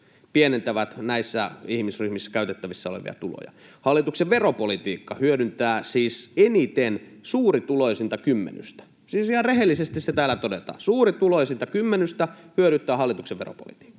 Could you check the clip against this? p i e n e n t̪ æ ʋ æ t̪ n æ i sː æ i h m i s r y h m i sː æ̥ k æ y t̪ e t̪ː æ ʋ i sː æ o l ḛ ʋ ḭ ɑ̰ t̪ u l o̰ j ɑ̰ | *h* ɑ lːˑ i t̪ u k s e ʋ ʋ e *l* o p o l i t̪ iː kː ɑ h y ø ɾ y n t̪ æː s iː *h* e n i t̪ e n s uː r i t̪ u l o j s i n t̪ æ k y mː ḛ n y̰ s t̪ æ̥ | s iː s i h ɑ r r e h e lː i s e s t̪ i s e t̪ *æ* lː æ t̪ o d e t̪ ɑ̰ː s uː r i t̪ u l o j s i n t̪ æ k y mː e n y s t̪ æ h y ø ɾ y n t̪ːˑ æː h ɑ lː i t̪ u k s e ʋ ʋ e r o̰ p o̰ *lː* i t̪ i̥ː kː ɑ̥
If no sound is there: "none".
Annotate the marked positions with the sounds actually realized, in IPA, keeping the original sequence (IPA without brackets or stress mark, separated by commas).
h, r, s, æː, l